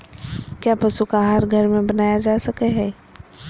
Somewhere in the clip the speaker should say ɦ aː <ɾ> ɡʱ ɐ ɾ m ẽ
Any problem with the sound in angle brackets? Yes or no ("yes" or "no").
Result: no